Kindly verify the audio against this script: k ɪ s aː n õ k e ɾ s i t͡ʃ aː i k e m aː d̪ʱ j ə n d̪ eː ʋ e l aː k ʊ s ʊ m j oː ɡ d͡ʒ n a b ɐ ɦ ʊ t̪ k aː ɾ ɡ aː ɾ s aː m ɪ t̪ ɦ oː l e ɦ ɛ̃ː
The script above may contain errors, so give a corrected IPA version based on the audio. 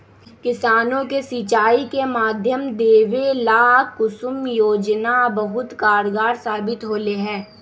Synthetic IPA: k ɪ s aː n õ k e s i t͡ʃ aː i k e m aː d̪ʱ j ə m d̪ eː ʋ e l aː k ʊ s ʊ m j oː d͡ʒ n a b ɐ ɦ ʊ t̪ k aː ɾ ɡ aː ɾ s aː b ɪ t̪ ɦ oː l e ɦ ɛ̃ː